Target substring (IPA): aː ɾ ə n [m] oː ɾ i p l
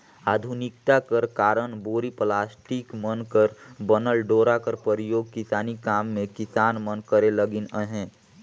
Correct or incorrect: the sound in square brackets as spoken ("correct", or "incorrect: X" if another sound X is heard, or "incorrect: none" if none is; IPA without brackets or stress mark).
incorrect: b